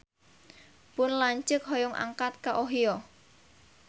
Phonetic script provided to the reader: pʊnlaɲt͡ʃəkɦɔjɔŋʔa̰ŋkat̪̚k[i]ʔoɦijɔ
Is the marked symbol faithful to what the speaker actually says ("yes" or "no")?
no